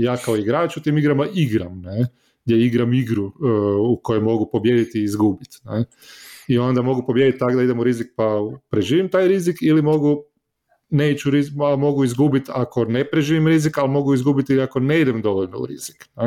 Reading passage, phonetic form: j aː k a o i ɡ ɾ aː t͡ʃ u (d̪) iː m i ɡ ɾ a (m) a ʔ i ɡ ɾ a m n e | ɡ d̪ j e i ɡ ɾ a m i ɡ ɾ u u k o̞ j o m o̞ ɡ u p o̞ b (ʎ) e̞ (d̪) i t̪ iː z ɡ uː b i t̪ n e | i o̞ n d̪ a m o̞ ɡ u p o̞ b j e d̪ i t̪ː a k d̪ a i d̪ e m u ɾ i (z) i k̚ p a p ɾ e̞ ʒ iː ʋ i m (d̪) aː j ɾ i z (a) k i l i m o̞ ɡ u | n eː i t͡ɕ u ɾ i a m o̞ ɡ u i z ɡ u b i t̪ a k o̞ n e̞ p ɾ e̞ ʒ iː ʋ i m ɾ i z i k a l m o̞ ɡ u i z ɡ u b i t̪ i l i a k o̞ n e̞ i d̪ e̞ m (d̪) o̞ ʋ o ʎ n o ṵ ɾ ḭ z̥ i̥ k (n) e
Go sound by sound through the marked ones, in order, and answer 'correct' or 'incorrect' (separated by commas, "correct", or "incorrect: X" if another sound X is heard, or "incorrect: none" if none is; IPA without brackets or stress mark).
incorrect: t̪, correct, incorrect: j, correct, correct, incorrect: t̪, incorrect: i, correct, correct